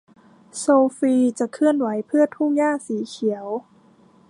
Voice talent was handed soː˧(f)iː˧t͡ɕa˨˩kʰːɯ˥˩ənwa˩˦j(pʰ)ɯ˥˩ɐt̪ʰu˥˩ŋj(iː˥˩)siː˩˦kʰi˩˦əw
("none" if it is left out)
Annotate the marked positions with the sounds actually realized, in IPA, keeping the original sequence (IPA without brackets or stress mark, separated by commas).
f, pʰ, aː˥˩